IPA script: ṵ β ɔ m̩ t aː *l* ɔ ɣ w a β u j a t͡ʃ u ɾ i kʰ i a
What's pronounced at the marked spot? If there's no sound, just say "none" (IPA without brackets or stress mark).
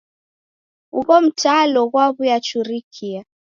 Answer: l